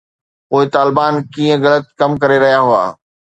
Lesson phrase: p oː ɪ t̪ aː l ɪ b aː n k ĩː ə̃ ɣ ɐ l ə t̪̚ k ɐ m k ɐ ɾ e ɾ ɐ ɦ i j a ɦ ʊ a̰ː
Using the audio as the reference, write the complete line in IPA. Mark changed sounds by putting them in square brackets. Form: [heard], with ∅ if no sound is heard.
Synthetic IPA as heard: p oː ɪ t̪ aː l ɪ b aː n k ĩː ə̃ ɣ ɐ l ə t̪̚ k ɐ m k ɐ ɾ e ɾ ɐ ɦ i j a ɦ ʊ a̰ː